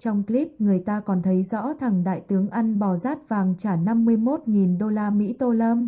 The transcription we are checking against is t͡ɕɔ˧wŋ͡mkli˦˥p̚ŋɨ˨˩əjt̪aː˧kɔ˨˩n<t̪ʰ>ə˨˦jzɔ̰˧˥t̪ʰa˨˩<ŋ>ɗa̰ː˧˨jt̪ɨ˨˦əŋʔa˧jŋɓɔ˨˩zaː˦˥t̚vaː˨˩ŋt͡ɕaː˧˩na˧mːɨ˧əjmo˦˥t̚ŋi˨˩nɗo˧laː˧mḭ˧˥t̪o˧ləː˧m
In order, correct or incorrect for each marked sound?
correct, correct

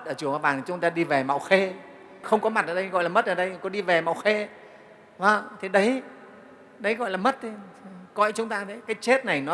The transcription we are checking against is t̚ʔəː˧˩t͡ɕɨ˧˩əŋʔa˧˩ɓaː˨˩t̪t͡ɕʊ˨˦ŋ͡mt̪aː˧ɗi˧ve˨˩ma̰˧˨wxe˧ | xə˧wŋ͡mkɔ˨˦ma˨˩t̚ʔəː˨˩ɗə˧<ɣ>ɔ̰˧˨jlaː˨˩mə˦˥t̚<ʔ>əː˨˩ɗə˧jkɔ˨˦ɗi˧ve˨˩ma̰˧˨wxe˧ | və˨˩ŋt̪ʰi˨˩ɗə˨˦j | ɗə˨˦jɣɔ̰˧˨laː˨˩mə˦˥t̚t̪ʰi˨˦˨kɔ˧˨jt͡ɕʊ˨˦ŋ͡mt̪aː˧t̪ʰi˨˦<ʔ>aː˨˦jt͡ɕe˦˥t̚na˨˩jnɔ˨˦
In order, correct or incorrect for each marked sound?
correct, correct, incorrect

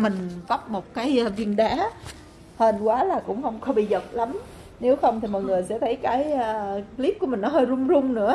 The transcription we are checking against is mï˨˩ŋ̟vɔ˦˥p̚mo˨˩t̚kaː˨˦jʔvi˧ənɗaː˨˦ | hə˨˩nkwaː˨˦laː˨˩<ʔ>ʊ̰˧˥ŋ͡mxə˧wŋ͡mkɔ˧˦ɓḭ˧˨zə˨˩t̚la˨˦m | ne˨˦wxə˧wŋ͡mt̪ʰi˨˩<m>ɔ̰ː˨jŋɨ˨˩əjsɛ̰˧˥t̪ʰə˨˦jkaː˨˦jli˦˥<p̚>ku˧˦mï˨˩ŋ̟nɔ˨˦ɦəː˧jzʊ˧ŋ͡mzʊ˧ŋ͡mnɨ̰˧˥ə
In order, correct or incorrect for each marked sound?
incorrect, correct, correct

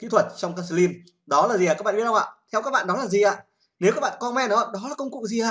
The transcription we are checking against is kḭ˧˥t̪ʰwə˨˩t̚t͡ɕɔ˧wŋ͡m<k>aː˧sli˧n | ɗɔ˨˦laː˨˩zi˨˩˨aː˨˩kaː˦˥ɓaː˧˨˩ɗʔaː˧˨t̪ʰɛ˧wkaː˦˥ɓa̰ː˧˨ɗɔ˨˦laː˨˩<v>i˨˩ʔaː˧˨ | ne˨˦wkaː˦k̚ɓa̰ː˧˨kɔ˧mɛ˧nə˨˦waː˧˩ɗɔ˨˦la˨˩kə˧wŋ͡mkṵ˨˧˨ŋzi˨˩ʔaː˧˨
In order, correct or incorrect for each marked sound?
correct, incorrect

